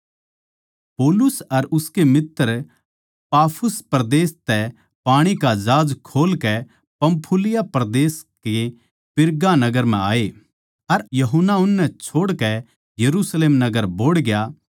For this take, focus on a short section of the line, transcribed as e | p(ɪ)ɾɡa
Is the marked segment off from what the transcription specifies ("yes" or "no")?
no